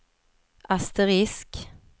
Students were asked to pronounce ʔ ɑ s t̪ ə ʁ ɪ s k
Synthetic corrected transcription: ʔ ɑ s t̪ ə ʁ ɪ s k